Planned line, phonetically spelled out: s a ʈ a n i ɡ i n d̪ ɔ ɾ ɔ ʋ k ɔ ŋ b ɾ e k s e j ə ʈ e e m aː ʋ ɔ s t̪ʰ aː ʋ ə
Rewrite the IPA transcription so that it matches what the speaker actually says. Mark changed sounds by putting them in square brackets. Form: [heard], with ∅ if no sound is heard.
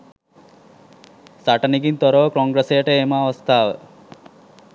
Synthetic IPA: s a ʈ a n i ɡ i n [t̪] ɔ ɾ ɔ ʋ k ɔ ŋ [ɡ] ɾ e [∅] s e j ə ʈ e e m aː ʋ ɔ s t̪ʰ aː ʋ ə